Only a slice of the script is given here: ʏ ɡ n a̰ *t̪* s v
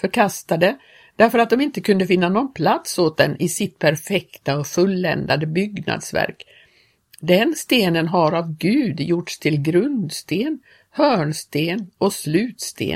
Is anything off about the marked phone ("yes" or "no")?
yes